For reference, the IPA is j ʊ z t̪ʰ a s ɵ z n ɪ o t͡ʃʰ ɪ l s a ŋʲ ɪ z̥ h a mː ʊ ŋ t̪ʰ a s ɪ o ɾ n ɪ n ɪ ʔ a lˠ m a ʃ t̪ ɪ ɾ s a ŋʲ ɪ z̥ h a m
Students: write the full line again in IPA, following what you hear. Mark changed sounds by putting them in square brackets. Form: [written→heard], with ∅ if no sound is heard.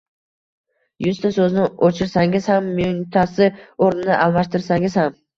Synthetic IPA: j ʊ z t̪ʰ a s ɵ z n ɪ o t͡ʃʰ ɪ [l→ɾ] s a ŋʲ ɪ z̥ h a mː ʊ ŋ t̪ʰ a s ɪ o ɾ n ɪ n ɪ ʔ a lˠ m a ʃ t̪ ɪ ɾ s a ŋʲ ɪ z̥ h a m